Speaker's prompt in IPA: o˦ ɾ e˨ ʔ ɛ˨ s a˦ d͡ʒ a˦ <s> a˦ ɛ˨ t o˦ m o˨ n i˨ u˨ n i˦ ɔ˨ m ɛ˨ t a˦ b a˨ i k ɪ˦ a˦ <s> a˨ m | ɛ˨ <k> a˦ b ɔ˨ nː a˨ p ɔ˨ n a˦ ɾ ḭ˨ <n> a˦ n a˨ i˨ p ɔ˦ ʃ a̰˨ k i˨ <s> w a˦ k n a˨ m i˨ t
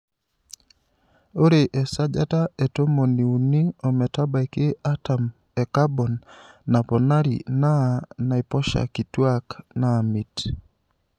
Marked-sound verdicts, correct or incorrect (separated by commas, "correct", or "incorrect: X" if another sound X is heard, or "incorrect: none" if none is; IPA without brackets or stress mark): incorrect: t, incorrect: t, correct, correct, incorrect: t